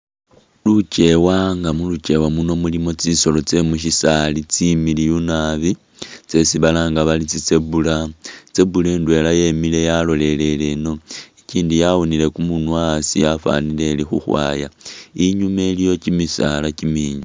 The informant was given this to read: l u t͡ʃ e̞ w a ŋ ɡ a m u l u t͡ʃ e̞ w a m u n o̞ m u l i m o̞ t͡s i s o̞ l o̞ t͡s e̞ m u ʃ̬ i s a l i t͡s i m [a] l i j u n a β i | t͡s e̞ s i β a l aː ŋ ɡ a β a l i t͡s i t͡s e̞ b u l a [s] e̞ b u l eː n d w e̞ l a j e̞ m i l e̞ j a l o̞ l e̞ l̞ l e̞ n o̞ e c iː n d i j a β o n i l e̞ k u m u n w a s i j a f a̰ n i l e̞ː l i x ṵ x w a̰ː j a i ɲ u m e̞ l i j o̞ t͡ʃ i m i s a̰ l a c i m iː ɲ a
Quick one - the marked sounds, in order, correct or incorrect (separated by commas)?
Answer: incorrect, incorrect